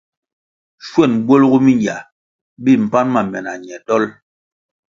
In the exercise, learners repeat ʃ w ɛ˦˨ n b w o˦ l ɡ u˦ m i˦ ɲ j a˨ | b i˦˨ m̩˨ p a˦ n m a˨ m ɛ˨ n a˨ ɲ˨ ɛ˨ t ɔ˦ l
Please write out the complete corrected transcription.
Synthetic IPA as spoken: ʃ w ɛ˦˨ n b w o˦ l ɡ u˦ m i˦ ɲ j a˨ | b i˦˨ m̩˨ p a˦ n m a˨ m ɛ˨ n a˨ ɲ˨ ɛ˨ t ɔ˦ l